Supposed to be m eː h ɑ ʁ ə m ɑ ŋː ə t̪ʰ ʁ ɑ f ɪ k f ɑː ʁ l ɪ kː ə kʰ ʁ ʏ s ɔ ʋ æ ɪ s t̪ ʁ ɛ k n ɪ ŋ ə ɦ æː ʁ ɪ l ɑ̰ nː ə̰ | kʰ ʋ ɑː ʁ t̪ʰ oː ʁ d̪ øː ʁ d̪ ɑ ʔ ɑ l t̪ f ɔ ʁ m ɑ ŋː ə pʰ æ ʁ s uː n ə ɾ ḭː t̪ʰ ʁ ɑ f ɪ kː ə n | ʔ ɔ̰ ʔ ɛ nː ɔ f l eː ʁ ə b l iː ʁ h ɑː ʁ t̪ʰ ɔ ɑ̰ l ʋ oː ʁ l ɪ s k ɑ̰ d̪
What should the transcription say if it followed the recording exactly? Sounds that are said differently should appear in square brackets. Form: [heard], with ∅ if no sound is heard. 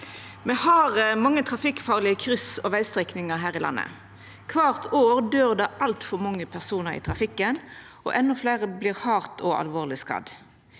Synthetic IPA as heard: m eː h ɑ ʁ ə m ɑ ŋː ə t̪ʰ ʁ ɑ f ɪ k f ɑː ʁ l ɪ [∅] ə kʰ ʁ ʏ s ɔ ʋ æ ɪ s t̪ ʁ ɛ k n ɪ ŋ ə ɦ æː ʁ ɪ l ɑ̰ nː ə̰ | kʰ ʋ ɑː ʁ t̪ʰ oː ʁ d̪ øː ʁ d̪ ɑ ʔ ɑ l t̪ f ɔ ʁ m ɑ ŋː ə pʰ æ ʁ s uː n ə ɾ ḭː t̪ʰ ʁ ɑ f ɪ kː ə n | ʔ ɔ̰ ʔ ɛ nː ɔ f l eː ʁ ə b l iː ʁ h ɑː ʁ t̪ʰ ɔ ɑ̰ l ʋ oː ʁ l ɪ s k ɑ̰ d̪

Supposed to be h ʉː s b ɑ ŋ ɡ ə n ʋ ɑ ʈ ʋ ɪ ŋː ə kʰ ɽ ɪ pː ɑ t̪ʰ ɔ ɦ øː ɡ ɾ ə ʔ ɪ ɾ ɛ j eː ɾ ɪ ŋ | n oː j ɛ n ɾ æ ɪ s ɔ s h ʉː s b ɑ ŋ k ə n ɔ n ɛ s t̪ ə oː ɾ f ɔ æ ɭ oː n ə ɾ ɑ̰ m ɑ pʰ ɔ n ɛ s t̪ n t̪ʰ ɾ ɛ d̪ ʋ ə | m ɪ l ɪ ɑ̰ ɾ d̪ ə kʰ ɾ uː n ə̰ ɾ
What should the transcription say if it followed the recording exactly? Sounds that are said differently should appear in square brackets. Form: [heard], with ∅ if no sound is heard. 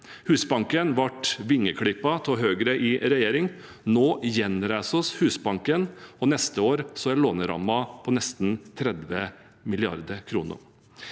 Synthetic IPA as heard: h ʉː s b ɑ ŋ [k] ə n ʋ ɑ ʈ ʋ ɪ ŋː ə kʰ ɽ ɪ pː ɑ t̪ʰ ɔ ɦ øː ɡ ɾ ə ʔ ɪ ɾ ɛ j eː ɾ ɪ ŋ | n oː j ɛ n ɾ æ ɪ s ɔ s h ʉː s b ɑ ŋ k ə n ɔ n ɛ s t̪ ə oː ɾ [s] ɔ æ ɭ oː n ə ɾ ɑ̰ m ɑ pʰ ɔ n ɛ s t̪ n t̪ʰ ɾ ɛ d̪ ʋ ə | m ɪ l ɪ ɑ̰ ɾ d̪ ə kʰ ɾ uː n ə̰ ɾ

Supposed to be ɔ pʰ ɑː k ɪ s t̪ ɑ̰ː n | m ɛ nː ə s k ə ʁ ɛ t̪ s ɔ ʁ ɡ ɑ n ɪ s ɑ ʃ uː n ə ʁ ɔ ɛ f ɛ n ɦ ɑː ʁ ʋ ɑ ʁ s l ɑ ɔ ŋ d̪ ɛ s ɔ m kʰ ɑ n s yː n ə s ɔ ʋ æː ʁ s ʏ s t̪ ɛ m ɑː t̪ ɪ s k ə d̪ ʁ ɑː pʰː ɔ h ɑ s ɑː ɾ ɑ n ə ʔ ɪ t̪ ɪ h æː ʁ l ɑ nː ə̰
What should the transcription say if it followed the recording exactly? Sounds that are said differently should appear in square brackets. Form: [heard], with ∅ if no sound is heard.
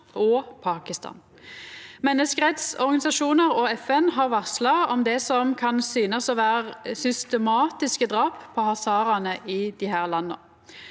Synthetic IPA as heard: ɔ pʰ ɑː k ɪ s t̪ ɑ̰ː n | m ɛ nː ə s k ə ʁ ɛ t̪ s ɔ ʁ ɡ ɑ n ɪ s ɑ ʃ uː n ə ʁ ɔ ɛ f ɛ n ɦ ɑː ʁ ʋ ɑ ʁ s l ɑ ɔ [m] d̪ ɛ s ɔ m kʰ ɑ n s yː n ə s ɔ ʋ æː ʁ s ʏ s t̪ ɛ m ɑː t̪ ɪ s k ə d̪ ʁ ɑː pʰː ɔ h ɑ s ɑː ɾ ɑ n ə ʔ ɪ [d̪] ɪ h æː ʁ l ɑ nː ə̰

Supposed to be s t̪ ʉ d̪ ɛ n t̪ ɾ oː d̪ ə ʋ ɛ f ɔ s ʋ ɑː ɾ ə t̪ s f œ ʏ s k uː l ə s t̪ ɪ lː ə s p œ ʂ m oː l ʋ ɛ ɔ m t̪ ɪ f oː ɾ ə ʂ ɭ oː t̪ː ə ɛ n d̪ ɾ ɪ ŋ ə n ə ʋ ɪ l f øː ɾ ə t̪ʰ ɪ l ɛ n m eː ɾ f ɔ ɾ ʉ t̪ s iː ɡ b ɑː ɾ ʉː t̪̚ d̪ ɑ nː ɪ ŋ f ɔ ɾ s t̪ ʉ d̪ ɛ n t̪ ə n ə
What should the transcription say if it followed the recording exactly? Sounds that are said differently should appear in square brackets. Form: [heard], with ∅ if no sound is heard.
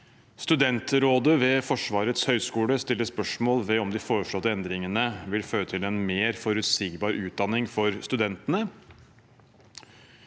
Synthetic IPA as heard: s t̪ ʉ d̪ ɛ n t̪ ɾ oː d̪ ə ʋ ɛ f ɔ [ʂ] ʋ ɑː ɾ ə t̪ s [h] œ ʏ s k uː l ə s t̪ ɪ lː ə s p œ ʂ m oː l ʋ ɛ ɔ m [d̪] ɪ f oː ɾ ə ʂ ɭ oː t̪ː ə ɛ n d̪ ɾ ɪ ŋ ə n ə ʋ ɪ l f øː ɾ ə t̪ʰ ɪ l ɛ n m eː ɾ f ɔ ɾ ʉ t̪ s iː ɡ b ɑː ɾ ʉː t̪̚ d̪ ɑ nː ɪ ŋ f ɔ ɾ s t̪ ʉ d̪ ɛ n t̪ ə n ə

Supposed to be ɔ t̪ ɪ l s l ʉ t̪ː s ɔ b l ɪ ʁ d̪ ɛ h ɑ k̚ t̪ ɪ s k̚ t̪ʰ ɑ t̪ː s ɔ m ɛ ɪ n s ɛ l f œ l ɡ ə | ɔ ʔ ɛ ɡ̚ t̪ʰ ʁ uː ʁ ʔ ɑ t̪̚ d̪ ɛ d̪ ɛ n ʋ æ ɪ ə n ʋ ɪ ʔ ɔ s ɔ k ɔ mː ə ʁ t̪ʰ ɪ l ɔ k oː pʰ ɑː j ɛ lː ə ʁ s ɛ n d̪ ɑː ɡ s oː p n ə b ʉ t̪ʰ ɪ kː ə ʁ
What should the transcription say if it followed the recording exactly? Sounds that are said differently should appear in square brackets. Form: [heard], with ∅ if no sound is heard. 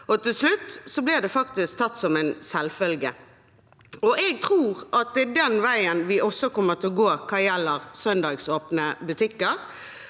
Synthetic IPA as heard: ɔ t̪ ɪ l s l ʉ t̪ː s ɔ b l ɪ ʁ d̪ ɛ [f] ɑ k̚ t̪ ɪ s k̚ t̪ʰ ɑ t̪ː s ɔ m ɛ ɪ n s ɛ l f œ l ɡ ə | ɔ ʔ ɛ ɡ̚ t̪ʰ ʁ uː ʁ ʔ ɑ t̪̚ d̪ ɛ d̪ ɛ n ʋ æ ɪ ə n ʋ ɪ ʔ ɔ s ɔ k ɔ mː ə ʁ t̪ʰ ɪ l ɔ [ɡ] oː [kʰ] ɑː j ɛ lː ə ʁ s [œ] n d̪ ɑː ɡ s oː p n ə b ʉ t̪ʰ ɪ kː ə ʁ

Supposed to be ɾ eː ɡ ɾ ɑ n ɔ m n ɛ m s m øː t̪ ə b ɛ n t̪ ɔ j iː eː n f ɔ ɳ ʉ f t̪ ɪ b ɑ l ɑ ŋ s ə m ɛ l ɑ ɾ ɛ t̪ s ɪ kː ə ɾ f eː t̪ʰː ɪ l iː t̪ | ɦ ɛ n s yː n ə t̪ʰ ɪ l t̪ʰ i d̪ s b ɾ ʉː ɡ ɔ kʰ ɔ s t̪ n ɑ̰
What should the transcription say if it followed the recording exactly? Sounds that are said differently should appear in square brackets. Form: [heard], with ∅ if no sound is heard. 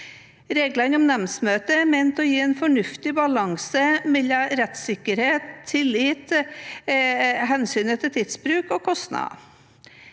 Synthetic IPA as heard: ɾ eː ɡ [l] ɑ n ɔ m n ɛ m s m øː t̪ ə [m] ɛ n t̪ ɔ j iː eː n f ɔ ɳ ʉ f t̪ ɪ b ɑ l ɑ ŋ s ə m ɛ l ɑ ɾ ɛ t̪ s ɪ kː ə ɾ [h] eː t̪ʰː ɪ l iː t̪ | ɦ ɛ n s yː n ə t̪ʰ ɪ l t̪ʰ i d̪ s b ɾ ʉː [k] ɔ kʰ ɔ s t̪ n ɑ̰

